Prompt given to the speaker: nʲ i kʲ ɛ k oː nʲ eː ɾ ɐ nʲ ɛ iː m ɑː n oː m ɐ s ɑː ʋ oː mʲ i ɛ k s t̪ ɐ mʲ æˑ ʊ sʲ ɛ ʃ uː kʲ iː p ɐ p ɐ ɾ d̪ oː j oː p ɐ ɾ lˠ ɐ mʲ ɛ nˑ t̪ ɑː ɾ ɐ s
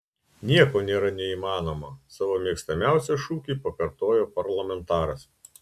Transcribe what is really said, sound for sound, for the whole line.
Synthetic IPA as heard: nʲ i ɛ k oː nʲ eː ɾ ɐ nʲ ɛ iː m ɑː n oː m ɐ s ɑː ʋ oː mʲ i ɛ k s t̪ ɐ mʲ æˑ ʊ sʲ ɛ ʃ uː kʲ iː p ɐ k ɐ ɾ t̪ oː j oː p ɐ ɾ lˠ ɐ mʲ ɛ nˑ t̪ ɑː ɾ ɐ s